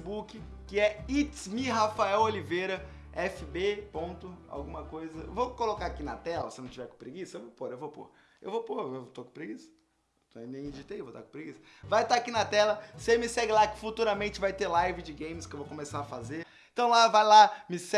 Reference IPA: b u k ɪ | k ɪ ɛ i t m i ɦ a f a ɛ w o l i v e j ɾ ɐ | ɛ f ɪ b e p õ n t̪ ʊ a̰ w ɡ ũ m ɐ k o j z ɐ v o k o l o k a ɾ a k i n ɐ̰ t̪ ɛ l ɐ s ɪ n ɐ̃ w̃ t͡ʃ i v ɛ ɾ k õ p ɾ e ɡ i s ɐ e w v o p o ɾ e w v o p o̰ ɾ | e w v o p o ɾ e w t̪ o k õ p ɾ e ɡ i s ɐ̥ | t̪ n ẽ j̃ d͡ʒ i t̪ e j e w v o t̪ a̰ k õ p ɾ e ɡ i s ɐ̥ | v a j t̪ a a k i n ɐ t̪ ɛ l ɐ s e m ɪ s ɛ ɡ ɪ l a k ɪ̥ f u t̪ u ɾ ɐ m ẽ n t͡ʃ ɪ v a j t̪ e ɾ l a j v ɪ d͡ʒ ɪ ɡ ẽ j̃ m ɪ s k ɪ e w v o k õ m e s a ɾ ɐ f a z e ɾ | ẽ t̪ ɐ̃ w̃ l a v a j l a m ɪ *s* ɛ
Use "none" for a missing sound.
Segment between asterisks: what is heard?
s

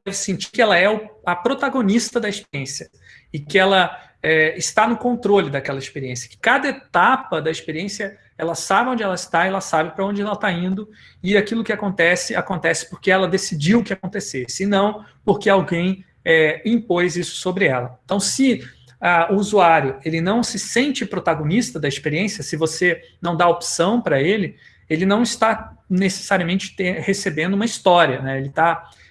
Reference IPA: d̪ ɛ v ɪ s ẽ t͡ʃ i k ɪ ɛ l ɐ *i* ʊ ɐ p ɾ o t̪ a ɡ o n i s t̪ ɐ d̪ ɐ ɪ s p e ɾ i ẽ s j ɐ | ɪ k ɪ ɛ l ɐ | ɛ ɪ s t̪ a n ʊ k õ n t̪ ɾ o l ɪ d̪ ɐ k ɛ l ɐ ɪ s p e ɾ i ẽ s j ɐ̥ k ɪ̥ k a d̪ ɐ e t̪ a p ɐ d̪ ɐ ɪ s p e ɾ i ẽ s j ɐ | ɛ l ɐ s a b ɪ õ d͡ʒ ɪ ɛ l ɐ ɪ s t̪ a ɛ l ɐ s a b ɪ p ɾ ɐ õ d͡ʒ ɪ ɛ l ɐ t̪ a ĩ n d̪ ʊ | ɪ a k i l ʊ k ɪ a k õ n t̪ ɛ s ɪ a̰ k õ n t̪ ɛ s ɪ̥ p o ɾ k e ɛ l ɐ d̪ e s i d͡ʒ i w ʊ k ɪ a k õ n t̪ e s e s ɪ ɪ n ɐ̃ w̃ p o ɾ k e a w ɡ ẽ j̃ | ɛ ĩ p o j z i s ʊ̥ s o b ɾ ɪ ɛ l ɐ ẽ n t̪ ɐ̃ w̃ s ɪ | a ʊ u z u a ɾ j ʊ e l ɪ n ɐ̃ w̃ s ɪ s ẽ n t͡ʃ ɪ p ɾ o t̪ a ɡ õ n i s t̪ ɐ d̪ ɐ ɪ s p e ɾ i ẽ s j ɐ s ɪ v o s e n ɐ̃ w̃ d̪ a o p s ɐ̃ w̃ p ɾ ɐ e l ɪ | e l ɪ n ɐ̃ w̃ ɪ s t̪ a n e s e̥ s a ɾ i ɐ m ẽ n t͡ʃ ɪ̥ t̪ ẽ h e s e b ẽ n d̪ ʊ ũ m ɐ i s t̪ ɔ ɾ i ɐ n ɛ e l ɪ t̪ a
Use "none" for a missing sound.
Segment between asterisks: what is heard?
ɛ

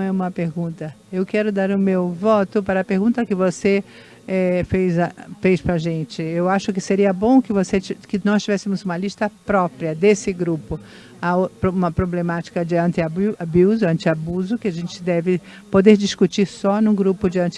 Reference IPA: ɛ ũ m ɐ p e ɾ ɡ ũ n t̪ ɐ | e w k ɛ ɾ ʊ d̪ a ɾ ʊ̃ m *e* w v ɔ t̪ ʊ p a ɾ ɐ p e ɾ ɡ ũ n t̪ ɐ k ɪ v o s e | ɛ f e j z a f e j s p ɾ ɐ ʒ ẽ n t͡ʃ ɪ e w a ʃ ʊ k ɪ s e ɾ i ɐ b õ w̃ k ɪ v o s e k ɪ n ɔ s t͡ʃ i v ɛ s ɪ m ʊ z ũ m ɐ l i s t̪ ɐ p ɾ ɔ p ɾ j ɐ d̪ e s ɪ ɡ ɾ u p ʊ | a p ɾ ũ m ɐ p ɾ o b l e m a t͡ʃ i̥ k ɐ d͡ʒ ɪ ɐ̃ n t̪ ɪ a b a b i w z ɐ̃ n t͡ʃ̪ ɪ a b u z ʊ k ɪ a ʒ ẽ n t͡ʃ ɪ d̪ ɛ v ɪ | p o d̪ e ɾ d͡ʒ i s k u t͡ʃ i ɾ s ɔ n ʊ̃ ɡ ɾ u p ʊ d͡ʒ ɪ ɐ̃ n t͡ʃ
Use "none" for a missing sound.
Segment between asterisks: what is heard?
e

